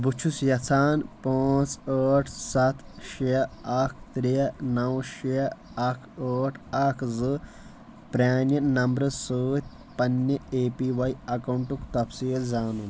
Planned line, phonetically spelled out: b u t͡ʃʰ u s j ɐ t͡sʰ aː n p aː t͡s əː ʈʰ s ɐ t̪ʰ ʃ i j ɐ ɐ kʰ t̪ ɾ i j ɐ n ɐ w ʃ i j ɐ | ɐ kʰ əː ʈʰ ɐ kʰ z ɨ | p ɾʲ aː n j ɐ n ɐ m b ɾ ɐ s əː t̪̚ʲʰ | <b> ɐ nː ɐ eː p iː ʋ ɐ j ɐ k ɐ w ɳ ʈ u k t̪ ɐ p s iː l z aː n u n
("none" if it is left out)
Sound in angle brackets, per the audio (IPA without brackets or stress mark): p